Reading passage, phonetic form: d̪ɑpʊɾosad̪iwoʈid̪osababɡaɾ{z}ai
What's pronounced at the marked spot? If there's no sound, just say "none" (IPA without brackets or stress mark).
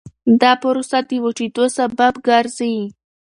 z